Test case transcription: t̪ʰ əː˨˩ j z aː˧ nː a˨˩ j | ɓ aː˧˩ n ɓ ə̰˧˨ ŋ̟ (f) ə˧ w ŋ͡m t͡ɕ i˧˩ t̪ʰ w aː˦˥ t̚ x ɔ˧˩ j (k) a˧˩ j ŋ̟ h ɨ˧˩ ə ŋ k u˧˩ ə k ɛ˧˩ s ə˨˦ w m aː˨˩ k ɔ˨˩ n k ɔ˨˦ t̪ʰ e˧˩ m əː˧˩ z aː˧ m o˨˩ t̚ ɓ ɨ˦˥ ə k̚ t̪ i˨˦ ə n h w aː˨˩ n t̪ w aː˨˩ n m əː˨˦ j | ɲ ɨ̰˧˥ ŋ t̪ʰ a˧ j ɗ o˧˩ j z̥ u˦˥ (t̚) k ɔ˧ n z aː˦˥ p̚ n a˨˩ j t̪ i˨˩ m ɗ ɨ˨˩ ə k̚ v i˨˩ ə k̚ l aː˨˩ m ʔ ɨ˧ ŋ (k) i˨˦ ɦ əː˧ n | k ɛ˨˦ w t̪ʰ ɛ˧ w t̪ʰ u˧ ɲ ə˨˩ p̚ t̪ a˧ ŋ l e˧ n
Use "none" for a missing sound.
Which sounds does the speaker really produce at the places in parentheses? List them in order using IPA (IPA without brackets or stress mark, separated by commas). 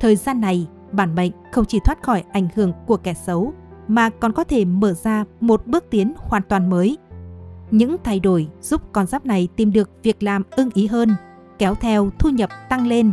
x, ʔ, p̚, ʔ